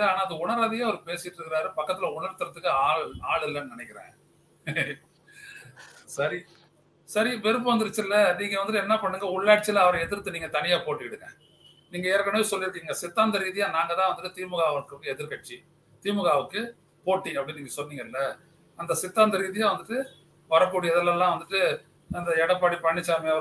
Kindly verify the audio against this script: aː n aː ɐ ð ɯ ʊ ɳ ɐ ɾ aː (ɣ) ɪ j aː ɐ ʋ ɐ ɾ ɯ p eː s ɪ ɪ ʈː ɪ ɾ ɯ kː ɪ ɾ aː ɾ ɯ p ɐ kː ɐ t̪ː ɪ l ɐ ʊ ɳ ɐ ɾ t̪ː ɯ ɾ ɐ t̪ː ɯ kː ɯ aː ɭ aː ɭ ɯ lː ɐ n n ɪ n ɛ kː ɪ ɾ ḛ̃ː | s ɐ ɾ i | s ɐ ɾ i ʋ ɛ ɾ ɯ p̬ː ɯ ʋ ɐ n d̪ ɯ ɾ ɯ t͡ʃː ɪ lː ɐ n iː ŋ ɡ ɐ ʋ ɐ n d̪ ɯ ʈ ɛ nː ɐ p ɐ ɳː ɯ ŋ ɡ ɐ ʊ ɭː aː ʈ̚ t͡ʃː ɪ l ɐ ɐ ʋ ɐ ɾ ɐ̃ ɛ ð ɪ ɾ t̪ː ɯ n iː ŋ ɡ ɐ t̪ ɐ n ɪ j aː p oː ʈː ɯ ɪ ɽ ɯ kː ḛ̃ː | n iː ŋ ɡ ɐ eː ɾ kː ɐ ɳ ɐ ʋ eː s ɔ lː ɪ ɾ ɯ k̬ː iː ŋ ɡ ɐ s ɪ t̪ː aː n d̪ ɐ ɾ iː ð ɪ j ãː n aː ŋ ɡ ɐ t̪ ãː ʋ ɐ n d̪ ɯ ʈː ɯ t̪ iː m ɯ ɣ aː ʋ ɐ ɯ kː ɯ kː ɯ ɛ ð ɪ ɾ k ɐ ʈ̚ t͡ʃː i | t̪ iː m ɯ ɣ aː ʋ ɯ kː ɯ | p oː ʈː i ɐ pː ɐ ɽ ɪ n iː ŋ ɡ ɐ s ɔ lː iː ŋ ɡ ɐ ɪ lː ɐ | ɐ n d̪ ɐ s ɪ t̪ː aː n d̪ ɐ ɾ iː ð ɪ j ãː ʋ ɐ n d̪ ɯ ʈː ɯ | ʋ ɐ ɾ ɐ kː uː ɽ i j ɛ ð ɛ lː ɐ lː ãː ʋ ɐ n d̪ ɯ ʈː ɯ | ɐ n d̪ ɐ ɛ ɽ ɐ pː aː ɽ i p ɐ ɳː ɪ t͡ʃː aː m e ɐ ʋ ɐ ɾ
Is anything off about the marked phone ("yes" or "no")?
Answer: yes